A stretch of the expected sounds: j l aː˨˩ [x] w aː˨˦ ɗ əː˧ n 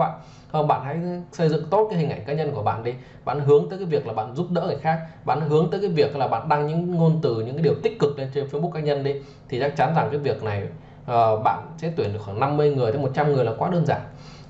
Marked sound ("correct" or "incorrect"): incorrect